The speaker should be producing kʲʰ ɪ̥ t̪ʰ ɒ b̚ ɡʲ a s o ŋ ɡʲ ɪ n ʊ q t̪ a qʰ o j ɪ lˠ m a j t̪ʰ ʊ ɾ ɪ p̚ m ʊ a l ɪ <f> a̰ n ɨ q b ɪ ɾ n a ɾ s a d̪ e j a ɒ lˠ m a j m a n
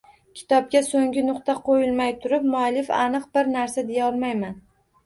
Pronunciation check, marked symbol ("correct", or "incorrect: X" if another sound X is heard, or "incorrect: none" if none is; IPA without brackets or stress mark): correct